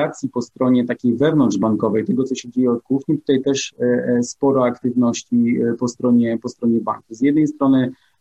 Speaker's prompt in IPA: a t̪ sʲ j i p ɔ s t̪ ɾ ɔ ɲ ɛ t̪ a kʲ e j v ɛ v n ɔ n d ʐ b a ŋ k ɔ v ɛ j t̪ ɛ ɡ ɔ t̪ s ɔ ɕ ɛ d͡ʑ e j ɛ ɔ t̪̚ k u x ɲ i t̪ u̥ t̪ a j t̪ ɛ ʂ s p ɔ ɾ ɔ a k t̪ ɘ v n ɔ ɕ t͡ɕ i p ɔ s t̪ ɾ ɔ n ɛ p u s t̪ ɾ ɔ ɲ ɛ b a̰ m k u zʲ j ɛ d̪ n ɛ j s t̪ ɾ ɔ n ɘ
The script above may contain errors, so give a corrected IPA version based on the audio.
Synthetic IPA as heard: a t̪ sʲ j i p ɔ s t̪ ɾ ɔ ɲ ɛ t̪ a kʲ e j v ɛ v n ɔ n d ʐ b a ŋ k ɔ v ɛ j t̪ ɛ ɡ ɔ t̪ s ɔ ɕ ɛ d͡ʑ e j ɛ ɔ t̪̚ k u x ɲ i t̪ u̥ t̪ a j t̪ ɛ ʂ s p ɔ ɾ ɔ a k t̪ ɘ v n ɔ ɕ t͡ɕ i p ɔ s t̪ ɾ ɔ ɲ ɛ p ɔ s t̪ ɾ ɔ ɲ ɛ b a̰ ŋ k u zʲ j ɛ d̪ n ɛ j s t̪ ɾ ɔ n ɘ